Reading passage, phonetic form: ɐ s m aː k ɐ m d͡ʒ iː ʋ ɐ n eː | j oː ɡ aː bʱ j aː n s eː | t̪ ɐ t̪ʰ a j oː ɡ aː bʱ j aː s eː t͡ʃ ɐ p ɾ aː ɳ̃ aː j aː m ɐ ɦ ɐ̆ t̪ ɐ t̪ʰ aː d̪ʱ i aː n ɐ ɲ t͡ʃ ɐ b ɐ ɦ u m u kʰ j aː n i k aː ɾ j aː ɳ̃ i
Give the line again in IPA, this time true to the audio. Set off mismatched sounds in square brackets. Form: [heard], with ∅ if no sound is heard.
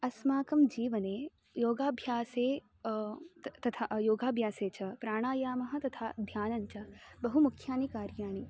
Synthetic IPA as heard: ɐ s m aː k ɐ m d͡ʒ iː ʋ ɐ n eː | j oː ɡ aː bʱ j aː [∅] s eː | t̪ ɐ t̪ʰ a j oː ɡ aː bʱ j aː s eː t͡ʃ ɐ p ɾ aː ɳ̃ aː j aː m ɐ ɦ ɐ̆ t̪ ɐ t̪ʰ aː d̪ʱ [j] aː n ɐ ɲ t͡ʃ ɐ b ɐ ɦ u m u kʰ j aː n i k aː ɾ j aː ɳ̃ i